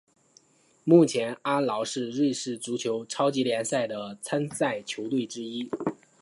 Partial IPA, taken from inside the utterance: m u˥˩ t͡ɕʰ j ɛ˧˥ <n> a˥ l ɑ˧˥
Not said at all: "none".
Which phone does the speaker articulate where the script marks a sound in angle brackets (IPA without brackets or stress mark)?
n